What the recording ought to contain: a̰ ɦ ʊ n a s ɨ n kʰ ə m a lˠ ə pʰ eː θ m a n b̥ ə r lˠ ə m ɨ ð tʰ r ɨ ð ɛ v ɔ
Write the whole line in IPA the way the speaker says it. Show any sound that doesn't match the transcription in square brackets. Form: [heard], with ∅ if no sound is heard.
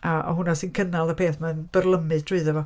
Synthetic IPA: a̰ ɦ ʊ n a s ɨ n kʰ ə [n] a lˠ ə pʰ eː θ m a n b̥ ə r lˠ ə m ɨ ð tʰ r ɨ ð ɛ v ɔ

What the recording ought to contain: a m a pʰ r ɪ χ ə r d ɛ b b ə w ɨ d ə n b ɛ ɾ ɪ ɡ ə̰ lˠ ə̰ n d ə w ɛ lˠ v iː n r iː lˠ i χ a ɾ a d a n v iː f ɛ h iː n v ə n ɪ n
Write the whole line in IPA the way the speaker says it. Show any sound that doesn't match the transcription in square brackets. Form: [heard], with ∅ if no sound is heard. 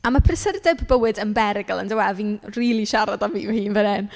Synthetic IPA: a m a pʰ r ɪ [s] ə r d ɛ b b ə w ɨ d ə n b ɛ ɾ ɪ ɡ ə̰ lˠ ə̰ n d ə w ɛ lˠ v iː n r iː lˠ i [ʃ] a ɾ a d a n v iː [v] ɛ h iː n v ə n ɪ n

